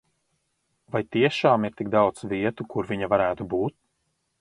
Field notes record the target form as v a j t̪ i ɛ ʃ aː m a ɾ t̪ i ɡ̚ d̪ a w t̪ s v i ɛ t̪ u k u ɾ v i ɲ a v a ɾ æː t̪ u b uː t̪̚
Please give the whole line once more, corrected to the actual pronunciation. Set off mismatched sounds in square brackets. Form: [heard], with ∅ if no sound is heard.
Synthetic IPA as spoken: v a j t̪ i ɛ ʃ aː m [i] ɾ t̪ i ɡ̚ d̪ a w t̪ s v i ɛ t̪ u k u ɾ v i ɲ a v a ɾ æː t̪ u b uː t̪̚